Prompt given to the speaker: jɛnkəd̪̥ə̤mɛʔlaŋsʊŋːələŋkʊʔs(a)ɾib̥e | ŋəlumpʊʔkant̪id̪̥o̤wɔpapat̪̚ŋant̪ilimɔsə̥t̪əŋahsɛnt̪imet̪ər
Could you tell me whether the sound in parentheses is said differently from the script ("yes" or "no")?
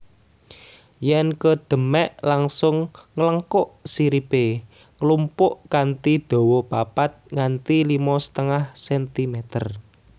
yes